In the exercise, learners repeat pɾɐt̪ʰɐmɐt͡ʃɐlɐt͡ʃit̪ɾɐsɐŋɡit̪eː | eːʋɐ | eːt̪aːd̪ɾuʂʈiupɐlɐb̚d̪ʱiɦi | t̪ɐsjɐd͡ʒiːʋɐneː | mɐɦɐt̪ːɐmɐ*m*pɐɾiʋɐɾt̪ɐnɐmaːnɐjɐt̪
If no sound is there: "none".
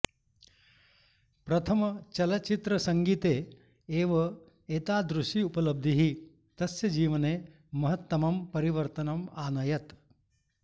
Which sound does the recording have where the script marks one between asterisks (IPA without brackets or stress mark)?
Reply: m